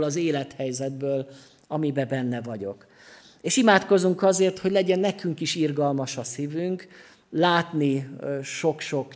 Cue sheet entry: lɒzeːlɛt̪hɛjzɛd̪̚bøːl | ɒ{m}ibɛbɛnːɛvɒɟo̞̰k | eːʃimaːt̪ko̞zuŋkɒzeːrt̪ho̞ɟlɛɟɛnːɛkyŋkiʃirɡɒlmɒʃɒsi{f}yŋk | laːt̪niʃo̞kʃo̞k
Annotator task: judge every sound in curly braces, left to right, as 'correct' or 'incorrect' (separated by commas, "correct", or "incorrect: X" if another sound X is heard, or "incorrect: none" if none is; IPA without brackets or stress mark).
correct, incorrect: v